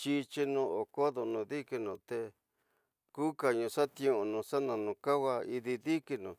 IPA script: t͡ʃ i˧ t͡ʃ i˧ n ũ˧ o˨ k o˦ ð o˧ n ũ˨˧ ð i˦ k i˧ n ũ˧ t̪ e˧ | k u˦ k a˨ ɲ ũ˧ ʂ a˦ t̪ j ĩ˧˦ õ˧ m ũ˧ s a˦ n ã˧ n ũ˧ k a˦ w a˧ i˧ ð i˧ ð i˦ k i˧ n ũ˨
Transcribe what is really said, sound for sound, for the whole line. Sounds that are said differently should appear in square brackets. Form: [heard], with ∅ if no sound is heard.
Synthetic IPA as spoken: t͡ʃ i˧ t͡ʃ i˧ n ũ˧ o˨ k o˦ ð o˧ n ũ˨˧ ð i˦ k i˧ n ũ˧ t̪ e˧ | k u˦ k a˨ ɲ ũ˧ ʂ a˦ t̪ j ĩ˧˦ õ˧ [n] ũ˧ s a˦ n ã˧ n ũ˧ k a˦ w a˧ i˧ ð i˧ ð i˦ k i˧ n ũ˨